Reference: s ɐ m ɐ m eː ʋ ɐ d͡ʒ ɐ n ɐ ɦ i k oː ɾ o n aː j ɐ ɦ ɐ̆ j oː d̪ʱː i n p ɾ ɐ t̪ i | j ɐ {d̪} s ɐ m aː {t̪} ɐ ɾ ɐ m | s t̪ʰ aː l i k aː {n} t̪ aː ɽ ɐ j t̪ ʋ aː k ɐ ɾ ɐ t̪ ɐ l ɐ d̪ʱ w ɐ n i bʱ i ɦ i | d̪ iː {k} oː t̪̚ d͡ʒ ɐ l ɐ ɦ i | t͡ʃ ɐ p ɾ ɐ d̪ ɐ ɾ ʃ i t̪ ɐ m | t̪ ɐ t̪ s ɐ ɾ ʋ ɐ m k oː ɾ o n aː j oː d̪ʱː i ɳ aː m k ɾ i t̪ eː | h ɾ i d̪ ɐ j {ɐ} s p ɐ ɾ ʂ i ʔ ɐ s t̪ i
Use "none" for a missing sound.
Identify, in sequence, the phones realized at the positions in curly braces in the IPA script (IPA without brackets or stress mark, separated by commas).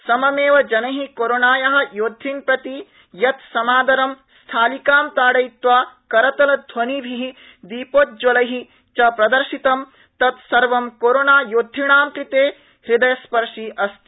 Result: t̪, d̪, m, p, ɐ